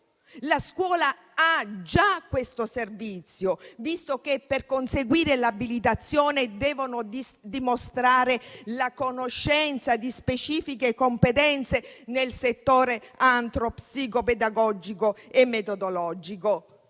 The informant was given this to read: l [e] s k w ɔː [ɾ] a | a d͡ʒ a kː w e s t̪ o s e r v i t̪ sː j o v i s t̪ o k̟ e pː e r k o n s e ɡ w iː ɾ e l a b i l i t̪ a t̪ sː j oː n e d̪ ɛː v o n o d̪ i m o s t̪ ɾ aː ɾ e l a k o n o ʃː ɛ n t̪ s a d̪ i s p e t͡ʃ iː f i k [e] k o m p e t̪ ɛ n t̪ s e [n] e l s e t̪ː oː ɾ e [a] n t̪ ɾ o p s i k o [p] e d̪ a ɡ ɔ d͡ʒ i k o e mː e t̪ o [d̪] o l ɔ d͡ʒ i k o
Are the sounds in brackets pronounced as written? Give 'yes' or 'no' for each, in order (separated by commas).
no, no, yes, yes, yes, yes, yes